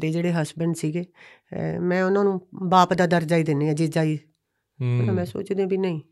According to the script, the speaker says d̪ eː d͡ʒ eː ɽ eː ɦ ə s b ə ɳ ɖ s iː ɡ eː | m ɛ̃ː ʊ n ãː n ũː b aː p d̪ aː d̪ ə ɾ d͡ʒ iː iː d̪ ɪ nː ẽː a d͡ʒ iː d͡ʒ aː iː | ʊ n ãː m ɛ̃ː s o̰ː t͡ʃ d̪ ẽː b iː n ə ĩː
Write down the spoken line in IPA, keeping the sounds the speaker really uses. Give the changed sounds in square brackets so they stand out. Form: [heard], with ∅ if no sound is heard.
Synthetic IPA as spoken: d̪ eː d͡ʒ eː ɽ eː ɦ ə s b ə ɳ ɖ s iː ɡ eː | m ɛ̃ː ʊ n ãː n ũː b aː p d̪ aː d̪ ə ɾ d͡ʒ [aː] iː d̪ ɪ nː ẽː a d͡ʒ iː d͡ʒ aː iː | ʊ n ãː m ɛ̃ː s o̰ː t͡ʃ d̪ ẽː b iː n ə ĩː